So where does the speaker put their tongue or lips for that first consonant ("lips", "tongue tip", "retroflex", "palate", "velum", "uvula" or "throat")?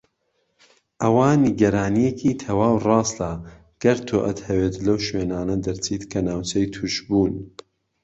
throat